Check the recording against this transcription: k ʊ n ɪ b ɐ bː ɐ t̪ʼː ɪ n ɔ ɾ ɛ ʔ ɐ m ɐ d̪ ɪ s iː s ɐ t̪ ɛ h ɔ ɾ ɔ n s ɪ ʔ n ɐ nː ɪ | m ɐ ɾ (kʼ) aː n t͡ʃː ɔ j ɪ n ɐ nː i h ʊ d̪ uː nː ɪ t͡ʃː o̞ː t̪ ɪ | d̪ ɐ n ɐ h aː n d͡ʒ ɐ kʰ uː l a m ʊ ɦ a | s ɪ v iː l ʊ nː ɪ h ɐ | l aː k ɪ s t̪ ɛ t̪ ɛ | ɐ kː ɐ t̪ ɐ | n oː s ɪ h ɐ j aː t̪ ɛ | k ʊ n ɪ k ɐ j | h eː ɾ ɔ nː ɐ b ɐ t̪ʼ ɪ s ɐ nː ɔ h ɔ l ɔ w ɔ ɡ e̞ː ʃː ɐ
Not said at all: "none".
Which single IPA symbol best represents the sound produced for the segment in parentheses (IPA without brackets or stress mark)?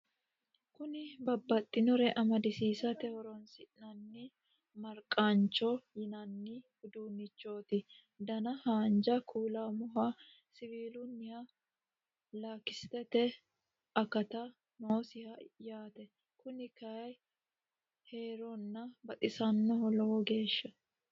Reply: kʼ